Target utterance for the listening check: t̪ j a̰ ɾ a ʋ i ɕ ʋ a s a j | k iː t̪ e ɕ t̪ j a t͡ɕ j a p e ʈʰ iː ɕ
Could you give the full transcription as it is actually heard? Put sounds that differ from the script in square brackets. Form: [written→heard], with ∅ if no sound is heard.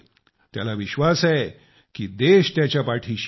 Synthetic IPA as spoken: t̪ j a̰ [ɾ→l] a ʋ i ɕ ʋ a s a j | k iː [t̪→d̪] e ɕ t̪ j a t͡ɕ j a p [e→a] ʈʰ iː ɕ